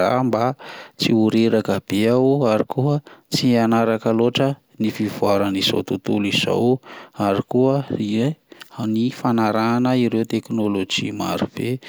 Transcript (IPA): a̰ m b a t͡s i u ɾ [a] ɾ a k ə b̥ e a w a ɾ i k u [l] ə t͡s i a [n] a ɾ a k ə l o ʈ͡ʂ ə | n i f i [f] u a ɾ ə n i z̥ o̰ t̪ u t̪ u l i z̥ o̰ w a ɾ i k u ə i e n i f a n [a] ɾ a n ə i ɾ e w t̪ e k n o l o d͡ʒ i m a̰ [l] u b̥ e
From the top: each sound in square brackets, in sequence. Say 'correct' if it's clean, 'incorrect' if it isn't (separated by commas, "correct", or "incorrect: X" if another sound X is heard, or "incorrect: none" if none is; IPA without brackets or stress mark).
incorrect: e, incorrect: none, correct, incorrect: v, correct, incorrect: ɾ